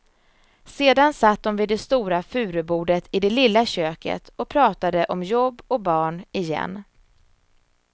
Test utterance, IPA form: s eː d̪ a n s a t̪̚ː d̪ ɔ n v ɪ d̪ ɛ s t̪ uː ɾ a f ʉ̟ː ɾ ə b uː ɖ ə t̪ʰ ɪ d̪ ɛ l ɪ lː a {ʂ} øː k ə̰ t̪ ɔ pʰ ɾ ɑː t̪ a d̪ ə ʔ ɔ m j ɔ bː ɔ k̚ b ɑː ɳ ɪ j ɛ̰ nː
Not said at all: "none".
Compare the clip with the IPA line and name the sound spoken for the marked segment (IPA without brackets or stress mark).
ɕ